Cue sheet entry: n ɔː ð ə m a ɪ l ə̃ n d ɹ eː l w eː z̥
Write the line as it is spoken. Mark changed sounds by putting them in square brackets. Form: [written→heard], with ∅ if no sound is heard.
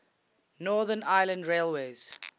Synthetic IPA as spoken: n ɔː ð ə [m→n] a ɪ l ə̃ n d ɹ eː l w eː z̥